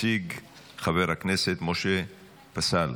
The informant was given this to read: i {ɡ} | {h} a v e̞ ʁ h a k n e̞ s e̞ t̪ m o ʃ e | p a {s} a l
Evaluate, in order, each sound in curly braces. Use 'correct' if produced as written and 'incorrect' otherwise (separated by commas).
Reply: correct, incorrect, correct